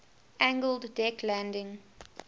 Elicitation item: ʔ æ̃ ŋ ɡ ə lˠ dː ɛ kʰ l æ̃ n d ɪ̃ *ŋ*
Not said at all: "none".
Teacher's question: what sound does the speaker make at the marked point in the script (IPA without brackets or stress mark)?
ŋ